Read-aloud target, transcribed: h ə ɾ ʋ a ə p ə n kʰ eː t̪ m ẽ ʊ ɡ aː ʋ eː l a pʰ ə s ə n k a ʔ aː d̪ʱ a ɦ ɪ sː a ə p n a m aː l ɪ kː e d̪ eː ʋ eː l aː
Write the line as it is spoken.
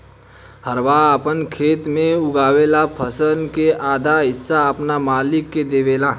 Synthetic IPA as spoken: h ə ɾ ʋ a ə p ə n kʰ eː t̪ m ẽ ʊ ɡ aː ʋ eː l a pʰ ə s ə n k e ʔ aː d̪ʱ a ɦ ɪ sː a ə p n a m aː l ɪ kː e d̪ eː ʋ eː l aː